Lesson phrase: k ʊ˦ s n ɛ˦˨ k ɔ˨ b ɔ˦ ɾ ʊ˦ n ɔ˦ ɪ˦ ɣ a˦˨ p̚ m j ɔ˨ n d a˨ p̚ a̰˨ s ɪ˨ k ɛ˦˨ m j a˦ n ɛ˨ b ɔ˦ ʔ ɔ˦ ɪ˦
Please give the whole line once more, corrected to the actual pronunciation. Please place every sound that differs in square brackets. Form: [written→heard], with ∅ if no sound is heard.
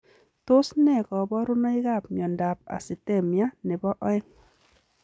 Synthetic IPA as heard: [k→t] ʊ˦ s n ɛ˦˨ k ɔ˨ b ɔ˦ ɾ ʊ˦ n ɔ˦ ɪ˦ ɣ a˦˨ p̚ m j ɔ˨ n d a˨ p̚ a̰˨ s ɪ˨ [k→t] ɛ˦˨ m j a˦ n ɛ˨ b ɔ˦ ʔ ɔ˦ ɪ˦